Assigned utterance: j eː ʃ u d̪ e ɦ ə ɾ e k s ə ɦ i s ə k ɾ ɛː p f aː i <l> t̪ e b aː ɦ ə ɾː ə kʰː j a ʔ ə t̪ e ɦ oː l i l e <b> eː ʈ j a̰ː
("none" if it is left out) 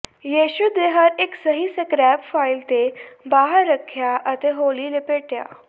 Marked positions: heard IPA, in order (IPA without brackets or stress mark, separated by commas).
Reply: l, p